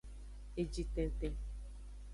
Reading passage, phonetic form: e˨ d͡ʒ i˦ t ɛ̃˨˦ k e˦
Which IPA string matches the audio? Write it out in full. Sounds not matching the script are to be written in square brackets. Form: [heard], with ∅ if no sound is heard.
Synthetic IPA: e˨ d͡ʒ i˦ t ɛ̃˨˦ [t] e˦